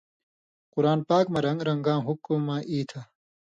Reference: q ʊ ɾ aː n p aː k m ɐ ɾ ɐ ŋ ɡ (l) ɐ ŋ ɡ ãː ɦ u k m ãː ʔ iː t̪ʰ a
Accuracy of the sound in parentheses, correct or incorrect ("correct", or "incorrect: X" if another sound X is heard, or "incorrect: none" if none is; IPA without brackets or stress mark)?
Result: incorrect: ɾ